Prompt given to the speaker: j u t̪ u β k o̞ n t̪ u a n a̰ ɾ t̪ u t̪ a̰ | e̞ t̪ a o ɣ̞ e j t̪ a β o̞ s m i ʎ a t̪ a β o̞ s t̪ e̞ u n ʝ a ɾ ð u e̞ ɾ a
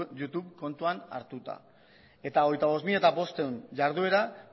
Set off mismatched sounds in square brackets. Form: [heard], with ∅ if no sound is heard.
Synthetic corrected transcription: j u t̪ u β k o̞ n t̪ u a n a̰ ɾ t̪ u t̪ a̰ | e̞ t̪ a o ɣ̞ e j t̪ a β o̞ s m i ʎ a t̪ a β o̞ s t̪ e̞ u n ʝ a ɾ ð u e̞ ɾ a